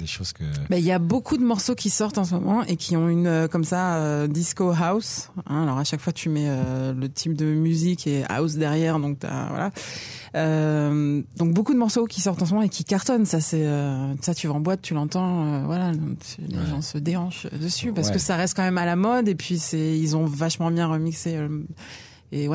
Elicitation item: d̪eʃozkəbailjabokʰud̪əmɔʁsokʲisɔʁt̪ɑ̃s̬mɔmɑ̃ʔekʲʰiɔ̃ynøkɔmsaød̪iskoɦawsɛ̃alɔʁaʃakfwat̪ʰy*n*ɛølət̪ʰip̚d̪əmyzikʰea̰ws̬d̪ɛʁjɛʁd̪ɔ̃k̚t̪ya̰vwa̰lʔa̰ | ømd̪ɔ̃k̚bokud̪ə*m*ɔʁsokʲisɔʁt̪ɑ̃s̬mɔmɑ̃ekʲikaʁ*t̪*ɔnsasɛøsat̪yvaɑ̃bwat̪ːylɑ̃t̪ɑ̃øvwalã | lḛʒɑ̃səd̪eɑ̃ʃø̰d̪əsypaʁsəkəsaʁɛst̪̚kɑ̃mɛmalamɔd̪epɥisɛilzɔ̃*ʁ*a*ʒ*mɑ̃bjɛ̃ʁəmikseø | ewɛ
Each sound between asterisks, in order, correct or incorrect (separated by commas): incorrect, correct, correct, incorrect, incorrect